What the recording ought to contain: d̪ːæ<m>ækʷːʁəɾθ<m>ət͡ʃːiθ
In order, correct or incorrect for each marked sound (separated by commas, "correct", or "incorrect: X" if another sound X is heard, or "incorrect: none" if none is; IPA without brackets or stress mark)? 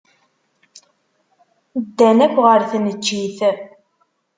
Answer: incorrect: n, incorrect: n